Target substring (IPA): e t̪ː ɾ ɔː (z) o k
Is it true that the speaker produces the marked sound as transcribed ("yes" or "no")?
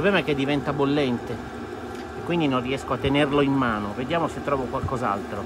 no